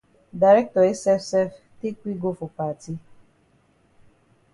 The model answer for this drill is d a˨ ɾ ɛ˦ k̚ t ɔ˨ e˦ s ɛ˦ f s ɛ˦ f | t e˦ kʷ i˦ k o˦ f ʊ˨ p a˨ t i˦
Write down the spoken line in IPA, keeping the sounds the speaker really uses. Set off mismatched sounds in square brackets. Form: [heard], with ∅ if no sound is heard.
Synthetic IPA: d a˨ ɾ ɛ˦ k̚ t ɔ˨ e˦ s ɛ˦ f s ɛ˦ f | t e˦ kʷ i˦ [ɡ] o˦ f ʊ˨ p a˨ t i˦